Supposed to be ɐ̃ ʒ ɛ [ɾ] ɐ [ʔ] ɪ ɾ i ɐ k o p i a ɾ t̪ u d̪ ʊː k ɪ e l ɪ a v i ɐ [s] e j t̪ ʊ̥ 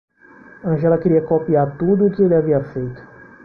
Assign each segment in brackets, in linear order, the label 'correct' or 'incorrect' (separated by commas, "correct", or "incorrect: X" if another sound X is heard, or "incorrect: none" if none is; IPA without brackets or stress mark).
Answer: incorrect: l, incorrect: k, incorrect: f